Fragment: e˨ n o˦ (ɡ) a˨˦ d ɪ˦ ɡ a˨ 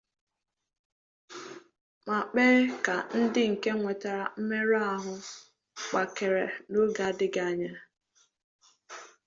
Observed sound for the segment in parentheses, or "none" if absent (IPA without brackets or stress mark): ɡ